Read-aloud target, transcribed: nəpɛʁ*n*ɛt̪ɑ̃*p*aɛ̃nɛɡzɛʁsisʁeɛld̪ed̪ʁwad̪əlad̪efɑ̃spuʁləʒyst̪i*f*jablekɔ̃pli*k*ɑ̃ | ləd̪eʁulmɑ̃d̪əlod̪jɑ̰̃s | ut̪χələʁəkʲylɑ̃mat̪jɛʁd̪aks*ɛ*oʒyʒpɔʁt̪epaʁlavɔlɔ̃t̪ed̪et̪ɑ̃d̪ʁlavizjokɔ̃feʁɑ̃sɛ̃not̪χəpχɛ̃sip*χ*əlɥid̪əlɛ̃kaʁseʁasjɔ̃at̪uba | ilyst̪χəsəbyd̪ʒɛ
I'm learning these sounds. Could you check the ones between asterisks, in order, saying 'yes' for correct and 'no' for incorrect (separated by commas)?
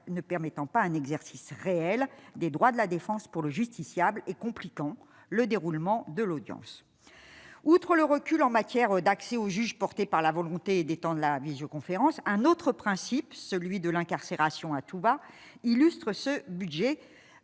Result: no, yes, no, yes, yes, no